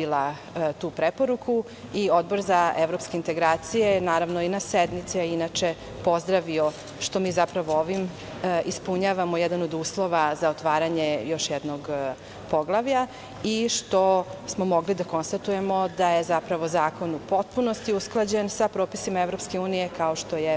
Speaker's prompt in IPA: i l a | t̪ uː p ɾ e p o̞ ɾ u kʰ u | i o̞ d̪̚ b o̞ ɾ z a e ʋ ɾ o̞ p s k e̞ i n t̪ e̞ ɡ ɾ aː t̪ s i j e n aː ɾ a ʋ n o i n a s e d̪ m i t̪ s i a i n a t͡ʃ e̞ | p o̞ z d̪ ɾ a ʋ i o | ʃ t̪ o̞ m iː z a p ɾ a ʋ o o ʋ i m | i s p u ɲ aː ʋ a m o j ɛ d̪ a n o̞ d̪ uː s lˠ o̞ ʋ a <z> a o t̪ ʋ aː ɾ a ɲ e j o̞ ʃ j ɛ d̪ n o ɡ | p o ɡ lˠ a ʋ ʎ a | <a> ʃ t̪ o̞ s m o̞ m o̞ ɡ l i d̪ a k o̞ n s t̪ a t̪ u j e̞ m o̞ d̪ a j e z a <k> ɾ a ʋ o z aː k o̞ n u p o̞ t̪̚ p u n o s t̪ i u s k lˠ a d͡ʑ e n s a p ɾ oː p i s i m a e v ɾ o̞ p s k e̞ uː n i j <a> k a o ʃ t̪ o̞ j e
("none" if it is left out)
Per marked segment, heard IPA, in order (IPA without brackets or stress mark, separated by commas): z, i, p, e